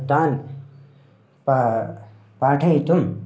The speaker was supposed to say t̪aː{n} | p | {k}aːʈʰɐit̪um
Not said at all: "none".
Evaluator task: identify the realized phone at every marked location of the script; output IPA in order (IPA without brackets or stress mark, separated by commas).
n, p